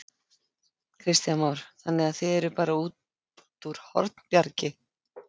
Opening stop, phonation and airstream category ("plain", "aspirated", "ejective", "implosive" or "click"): aspirated